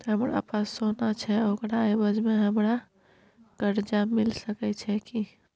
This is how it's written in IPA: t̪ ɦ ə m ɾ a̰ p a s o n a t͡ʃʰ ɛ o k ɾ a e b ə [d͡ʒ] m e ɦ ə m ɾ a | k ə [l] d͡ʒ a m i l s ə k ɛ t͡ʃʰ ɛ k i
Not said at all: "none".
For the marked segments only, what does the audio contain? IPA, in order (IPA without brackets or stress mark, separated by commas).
d͡ʒ, ɾ